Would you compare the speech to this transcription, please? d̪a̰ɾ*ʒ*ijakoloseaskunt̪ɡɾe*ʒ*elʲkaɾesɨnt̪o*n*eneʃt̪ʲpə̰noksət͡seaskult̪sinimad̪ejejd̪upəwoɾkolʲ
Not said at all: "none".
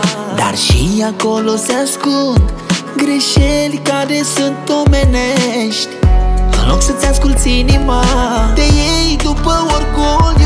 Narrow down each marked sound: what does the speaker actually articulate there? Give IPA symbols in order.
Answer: ʃ, ʃ, m

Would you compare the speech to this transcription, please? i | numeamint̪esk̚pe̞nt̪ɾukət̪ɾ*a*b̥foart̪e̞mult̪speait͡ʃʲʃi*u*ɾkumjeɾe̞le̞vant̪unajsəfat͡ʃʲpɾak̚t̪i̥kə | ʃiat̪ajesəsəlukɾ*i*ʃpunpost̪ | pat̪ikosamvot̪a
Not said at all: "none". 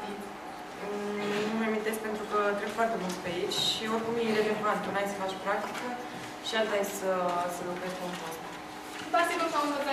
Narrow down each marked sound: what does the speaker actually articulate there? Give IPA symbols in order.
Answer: e, o, e

